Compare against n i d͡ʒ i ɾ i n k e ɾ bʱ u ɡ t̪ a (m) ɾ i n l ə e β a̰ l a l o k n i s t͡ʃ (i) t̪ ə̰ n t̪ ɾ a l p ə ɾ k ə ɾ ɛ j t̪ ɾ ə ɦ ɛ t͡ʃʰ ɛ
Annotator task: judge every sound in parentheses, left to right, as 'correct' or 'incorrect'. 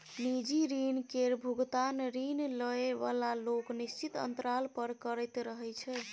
incorrect, correct

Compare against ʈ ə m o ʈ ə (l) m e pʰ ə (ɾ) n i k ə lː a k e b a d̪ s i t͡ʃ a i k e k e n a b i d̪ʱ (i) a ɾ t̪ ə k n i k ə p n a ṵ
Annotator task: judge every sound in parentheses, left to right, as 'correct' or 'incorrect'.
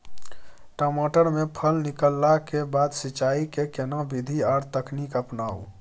incorrect, incorrect, correct

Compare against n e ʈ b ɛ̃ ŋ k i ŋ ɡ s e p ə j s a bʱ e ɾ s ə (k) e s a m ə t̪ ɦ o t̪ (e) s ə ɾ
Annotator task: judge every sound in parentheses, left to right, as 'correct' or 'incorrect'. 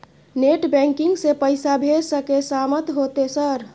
correct, correct

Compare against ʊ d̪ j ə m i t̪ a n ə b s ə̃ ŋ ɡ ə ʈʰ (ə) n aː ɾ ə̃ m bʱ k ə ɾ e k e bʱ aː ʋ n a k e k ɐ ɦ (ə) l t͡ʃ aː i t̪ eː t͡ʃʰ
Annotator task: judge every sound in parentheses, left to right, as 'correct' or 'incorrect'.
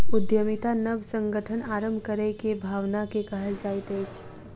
correct, correct

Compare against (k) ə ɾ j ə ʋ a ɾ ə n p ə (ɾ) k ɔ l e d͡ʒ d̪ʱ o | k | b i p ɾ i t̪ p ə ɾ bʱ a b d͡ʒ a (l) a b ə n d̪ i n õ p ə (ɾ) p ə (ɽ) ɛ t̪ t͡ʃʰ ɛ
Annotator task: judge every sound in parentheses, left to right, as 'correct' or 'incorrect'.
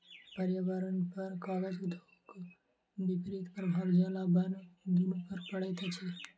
incorrect, correct, correct, correct, correct

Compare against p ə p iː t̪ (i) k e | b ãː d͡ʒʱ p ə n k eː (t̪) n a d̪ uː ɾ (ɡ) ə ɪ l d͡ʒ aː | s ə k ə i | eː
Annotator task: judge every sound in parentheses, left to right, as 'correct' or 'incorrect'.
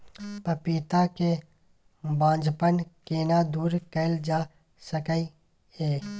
incorrect, incorrect, incorrect

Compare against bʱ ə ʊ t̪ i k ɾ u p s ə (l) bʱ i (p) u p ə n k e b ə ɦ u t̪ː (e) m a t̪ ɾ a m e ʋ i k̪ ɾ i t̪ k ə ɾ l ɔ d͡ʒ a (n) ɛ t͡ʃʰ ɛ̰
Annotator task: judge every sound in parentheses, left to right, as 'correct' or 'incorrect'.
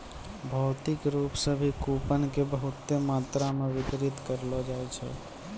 incorrect, incorrect, correct, incorrect

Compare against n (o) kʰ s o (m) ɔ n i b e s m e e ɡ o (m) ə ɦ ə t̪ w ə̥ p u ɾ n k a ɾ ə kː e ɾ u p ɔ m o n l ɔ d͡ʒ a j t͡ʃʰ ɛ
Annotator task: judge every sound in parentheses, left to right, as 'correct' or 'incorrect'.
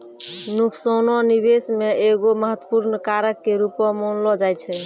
incorrect, incorrect, correct

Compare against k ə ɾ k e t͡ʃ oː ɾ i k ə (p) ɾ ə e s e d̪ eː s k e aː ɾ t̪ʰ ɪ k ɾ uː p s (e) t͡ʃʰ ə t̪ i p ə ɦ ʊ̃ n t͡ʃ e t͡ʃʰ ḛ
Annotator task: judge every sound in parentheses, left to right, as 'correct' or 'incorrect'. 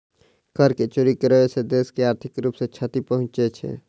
incorrect, correct

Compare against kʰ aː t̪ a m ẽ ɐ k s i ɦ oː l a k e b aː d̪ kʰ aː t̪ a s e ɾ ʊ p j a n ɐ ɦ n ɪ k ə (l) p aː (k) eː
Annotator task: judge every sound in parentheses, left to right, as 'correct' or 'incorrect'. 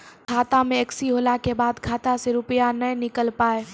correct, incorrect

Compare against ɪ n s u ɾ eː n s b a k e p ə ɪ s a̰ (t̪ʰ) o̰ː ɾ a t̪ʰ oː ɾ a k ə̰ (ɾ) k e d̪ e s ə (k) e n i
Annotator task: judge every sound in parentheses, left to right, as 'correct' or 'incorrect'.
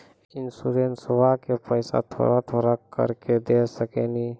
correct, correct, correct

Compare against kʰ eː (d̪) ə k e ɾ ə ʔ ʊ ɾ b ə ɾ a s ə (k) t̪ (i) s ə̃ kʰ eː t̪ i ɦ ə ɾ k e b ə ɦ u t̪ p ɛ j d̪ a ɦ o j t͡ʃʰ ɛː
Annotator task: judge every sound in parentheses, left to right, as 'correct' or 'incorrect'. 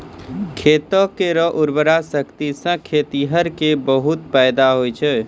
incorrect, correct, correct

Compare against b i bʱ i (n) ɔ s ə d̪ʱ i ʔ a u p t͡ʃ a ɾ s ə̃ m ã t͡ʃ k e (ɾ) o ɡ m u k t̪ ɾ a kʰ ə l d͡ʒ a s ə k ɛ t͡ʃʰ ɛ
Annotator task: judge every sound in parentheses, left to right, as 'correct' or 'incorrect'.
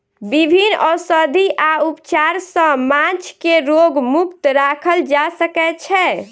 correct, correct

